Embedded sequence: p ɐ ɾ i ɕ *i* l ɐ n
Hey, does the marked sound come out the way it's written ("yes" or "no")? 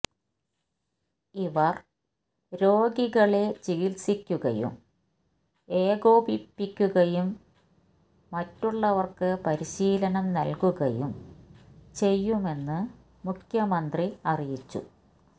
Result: no